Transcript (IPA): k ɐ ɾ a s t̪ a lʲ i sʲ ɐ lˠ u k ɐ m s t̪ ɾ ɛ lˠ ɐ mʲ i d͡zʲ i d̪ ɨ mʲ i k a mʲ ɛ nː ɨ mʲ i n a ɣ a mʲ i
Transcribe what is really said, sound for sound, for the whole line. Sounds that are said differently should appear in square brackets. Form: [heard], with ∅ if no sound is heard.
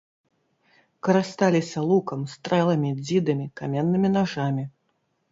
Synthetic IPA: k ɐ ɾ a s t̪ a lʲ i sʲ ɐ lˠ u k ɐ m s t̪ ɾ ɛ lˠ ɐ mʲ i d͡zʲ i d̪ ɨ mʲ i k a mʲ ɛ nː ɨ mʲ i n a [ʐ] a mʲ i